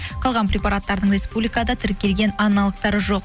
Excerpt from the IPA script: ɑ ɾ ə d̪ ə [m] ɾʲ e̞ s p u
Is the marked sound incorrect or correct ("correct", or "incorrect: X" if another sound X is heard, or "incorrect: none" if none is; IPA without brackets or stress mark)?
incorrect: ɴ